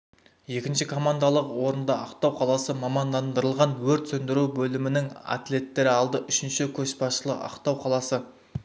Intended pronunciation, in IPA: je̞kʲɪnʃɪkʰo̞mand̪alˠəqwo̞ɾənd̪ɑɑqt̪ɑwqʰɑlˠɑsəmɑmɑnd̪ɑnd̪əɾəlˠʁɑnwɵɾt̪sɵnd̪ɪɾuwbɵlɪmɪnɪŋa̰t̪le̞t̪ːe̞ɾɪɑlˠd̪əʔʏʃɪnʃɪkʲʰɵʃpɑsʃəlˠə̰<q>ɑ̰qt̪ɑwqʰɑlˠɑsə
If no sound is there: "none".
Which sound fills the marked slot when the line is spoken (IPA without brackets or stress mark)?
q